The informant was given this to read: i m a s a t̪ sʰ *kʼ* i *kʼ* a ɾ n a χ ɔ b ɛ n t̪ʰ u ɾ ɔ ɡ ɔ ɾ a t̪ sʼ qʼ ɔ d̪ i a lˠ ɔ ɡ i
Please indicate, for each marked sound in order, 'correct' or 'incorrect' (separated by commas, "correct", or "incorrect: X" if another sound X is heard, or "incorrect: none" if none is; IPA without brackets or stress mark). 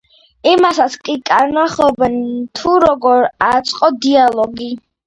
correct, correct